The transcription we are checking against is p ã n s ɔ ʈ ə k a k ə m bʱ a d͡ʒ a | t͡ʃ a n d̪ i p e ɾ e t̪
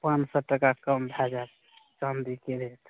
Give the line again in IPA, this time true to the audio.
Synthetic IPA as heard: p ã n s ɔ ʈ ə k a k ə m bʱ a d͡ʒ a | t͡ʃ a n d̪ i k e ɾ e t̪

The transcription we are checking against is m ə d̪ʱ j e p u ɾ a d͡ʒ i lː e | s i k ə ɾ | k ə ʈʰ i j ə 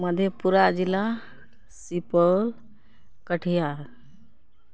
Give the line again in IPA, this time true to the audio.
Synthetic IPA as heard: m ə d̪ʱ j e p u ɾ a d͡ʒ i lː a | s i p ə l | k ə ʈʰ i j a

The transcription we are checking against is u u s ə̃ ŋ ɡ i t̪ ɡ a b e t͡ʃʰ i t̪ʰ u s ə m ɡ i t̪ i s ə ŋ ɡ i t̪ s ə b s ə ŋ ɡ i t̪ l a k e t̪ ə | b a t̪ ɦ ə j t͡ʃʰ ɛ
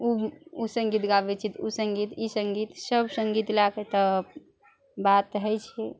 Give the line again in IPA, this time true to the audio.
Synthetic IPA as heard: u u s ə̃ ŋ ɡ i t̪ ɡ a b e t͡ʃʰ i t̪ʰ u s ə ŋ ɡ i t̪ i s ə ŋ ɡ i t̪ s ə b s ə ŋ ɡ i t̪ l a k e t̪ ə | b a t̪ ɦ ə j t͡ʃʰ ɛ

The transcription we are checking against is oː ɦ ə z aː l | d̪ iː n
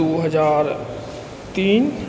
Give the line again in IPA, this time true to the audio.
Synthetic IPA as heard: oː ɦ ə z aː ɾ | t̪ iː n

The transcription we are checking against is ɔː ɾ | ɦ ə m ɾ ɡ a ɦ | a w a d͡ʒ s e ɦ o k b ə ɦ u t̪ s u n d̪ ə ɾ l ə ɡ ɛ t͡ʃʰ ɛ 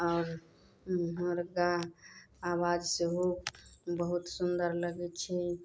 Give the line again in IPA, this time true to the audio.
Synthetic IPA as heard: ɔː ɾ | ɦ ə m ɾ ɡ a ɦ | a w a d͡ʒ s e ɦ o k b ə ɦ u t̪ s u n d̪ ə ɾ l ə ɡ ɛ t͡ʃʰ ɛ

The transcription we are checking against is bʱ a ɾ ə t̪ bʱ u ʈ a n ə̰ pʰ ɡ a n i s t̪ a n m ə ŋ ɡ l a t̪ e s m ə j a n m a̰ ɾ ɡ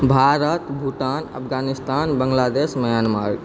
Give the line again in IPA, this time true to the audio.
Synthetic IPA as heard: bʱ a ɾ ə t̪ bʱ u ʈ a n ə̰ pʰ ɡ a n i s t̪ a n b ə ŋ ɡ l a d̪ e s m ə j a n m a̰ ɾ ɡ

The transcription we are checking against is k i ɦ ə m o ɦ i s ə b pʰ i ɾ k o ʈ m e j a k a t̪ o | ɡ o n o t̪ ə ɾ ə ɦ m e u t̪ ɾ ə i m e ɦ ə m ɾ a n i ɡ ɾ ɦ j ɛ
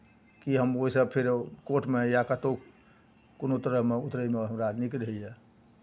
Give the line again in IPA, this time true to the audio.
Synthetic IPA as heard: k i ɦ ə m o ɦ i s ə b pʰ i ɾ k o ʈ m e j a k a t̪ o | k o n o t̪ ə ɾ ə ɦ m e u t̪ ɾ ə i m e ɦ ə m ɾ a n i k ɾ ɦ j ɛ

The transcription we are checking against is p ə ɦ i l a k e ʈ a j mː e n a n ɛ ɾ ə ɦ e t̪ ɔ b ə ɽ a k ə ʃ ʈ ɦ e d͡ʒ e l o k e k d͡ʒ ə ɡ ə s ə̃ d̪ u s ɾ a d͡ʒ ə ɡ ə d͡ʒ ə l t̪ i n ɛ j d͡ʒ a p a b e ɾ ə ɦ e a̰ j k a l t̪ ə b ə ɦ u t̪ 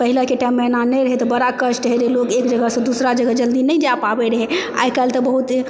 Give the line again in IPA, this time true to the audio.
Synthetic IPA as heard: p ə ɦ i l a k e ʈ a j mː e n a n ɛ ɾ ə ɦ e t̪ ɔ b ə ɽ a k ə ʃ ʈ ɦ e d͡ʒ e l o k e k d͡ʒ ə ɡ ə s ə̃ d̪ u s ɾ a d͡ʒ ə ɡ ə d͡ʒ ə l d̪ i n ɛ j d͡ʒ a p a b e ɾ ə ɦ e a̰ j k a l t̪ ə b ə ɦ u t̪

